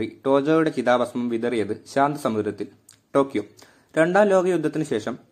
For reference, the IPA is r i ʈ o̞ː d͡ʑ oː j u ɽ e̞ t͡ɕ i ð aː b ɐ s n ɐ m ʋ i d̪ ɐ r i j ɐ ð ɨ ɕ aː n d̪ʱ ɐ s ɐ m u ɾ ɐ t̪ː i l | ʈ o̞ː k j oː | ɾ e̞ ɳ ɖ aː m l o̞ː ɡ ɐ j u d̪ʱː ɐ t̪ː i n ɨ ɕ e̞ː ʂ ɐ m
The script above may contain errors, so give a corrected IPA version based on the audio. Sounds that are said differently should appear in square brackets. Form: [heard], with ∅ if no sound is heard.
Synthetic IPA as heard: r i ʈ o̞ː d͡ʑ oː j u ɽ e̞ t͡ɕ i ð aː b ɐ s [m] ɐ m ʋ i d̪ ɐ r i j ɐ ð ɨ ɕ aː n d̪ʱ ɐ s ɐ m u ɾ ɐ t̪ː i l | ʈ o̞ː k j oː | ɾ e̞ ɳ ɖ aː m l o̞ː ɡ ɐ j u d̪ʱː ɐ t̪ː i n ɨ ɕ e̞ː ʂ ɐ m